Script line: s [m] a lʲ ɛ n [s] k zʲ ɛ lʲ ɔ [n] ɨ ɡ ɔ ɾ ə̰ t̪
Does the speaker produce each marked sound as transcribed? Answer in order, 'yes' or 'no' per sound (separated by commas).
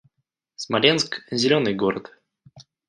yes, yes, yes